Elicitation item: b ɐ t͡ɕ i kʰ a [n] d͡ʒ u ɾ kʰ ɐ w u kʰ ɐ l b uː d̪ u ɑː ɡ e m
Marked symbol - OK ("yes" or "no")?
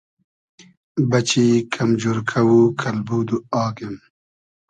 no